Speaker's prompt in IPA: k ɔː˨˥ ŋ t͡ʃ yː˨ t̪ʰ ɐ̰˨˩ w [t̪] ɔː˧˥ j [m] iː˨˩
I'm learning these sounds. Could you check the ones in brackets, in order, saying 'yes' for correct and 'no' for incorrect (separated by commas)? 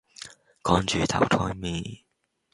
no, yes